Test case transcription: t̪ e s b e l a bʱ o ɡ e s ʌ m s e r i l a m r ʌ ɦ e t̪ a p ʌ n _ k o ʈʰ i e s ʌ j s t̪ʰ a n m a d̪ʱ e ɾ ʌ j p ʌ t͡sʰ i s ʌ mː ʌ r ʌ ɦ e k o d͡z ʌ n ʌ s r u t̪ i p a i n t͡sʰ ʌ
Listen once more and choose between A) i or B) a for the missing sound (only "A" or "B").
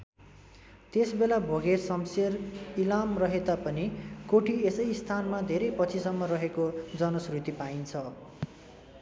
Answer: A